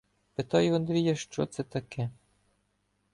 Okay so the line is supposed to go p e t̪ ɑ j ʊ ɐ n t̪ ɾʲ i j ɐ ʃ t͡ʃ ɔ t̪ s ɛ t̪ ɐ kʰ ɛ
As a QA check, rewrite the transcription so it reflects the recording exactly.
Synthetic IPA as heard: p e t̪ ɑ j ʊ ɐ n d̪ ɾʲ i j ɐ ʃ t͡ʃ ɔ t̪ s ɛ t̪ ɐ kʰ ɛ